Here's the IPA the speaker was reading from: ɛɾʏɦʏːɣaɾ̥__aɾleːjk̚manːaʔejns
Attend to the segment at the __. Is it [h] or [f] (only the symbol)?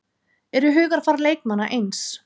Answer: f